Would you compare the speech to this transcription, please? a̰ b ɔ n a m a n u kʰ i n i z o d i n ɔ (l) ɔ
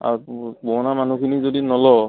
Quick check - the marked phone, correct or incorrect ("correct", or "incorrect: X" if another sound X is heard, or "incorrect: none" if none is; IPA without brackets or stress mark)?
correct